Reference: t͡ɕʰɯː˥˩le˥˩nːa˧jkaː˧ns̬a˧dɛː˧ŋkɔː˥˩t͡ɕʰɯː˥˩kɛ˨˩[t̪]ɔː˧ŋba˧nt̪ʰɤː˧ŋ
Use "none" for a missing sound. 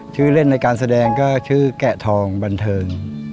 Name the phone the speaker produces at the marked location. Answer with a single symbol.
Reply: t̪ʰ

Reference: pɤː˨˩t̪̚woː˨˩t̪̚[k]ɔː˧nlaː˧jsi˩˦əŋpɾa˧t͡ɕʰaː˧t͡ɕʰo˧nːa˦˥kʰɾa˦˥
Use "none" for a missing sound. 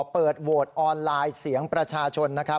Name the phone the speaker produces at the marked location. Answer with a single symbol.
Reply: ʔ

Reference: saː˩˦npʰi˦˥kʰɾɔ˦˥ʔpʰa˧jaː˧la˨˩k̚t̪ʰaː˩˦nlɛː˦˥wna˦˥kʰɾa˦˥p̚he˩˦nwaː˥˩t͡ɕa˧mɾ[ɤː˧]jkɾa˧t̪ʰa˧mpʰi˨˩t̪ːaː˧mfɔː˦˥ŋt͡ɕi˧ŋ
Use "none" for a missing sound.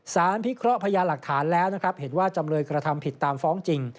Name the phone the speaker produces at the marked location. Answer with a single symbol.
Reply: ɤː˧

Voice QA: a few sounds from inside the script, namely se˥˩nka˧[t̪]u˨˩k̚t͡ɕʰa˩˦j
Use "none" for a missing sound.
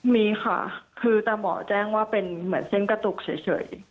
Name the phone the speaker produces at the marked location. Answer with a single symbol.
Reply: t̪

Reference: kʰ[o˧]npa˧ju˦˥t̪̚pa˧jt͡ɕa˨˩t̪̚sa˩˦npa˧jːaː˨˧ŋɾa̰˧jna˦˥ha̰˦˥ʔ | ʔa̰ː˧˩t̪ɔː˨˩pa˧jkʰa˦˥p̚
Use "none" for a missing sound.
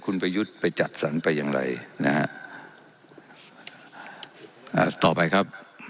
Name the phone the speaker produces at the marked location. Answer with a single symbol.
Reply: u˧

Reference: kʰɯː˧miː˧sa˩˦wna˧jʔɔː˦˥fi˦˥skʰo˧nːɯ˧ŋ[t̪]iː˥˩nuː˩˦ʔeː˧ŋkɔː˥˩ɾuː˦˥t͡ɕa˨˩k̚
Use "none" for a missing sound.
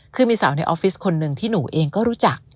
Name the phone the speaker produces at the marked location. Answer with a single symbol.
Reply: t̪ʰ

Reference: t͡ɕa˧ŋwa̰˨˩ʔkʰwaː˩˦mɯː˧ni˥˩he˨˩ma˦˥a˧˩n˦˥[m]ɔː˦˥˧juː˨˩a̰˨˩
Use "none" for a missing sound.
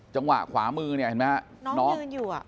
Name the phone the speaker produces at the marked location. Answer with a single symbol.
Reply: n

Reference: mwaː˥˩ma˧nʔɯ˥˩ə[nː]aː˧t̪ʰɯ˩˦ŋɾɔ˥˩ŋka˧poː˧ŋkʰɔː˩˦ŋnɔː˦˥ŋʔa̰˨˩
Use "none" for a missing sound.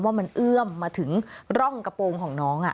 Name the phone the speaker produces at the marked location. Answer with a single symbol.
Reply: mː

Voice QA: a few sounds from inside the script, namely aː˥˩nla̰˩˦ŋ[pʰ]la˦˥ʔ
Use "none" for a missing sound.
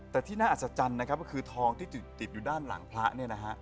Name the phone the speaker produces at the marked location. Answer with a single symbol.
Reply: pʰ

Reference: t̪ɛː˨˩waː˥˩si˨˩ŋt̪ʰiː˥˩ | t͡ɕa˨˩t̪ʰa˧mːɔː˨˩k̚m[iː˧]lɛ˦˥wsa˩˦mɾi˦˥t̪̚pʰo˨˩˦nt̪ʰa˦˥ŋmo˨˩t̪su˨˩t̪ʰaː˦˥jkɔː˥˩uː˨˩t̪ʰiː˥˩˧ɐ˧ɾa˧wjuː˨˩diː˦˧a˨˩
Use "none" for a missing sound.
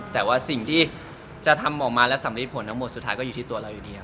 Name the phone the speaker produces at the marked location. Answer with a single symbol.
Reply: aː˧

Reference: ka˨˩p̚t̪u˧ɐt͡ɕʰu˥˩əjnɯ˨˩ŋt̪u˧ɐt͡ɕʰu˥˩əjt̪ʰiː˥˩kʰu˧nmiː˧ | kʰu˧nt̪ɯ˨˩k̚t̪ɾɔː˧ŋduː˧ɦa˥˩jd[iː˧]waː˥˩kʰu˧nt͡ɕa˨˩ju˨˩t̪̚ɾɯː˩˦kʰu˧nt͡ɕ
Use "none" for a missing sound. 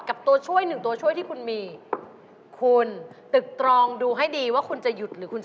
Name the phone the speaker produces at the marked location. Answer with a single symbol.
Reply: iː˧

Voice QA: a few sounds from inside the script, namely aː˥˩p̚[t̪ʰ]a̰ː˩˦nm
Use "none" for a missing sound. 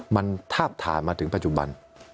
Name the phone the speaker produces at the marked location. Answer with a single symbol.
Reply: t̪ʰ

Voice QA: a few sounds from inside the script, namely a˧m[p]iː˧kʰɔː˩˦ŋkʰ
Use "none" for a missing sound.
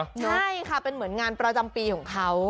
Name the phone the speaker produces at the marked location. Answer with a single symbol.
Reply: p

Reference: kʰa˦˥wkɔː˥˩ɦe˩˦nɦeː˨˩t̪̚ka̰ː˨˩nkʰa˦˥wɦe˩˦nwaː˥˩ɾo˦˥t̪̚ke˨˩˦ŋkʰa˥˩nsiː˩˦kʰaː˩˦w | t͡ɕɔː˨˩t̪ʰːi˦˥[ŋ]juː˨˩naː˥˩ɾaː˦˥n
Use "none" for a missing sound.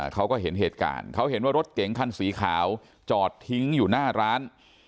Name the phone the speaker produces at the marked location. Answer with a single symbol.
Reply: ŋ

